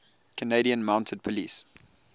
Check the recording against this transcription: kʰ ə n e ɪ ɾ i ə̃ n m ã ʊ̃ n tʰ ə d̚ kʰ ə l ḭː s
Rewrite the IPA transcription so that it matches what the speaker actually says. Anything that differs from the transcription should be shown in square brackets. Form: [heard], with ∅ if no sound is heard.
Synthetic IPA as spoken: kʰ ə n e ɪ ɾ i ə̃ n m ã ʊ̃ n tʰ ə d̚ [pʰ] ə l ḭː s